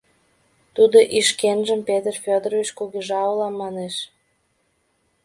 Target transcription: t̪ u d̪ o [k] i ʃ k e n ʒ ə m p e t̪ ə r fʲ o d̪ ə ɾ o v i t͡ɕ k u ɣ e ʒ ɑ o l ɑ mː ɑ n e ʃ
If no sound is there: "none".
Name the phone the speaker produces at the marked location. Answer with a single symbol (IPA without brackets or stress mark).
ʔ